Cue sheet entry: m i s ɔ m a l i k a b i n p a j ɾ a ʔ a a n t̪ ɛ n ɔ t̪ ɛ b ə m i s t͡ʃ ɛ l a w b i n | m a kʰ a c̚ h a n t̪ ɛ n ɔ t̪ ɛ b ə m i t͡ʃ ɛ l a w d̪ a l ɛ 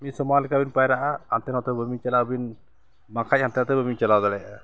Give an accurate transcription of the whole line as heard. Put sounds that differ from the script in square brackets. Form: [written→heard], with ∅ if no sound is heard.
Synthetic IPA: m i s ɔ m a l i k a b i n p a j ɾ a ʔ a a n t̪ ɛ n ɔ t̪ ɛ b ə m i [s→∅] t͡ʃ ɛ l a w b i n | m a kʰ a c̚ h a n t̪ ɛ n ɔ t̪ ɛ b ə m i t͡ʃ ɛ l a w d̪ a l ɛ